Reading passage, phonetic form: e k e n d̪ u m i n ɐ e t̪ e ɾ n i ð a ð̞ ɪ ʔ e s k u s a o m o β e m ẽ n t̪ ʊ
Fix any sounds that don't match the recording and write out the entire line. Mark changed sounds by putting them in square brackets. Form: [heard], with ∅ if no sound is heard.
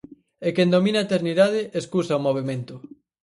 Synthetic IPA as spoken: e k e n d̪ [o] m i n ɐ e t̪ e ɾ n i ð a ð̞ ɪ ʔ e s k u s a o m o β e m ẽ n t̪ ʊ